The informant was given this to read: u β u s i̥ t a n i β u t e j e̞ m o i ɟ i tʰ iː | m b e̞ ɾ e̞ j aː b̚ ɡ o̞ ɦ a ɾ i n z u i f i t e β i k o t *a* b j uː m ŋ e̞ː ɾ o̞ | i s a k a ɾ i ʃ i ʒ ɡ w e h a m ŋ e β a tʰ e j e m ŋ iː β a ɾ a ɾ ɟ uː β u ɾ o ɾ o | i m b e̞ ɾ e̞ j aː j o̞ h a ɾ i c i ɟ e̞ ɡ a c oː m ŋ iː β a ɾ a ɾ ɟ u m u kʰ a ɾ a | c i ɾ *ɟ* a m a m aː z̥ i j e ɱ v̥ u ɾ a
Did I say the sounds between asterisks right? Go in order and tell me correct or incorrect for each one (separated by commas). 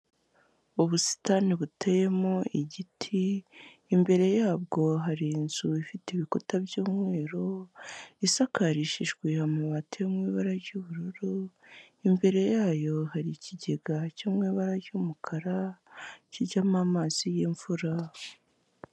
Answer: correct, correct